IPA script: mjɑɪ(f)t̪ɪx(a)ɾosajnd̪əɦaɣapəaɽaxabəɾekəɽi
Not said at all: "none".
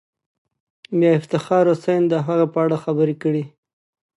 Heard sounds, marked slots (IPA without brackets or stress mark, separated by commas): f, ɑ